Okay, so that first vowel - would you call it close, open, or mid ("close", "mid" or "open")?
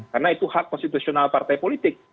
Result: open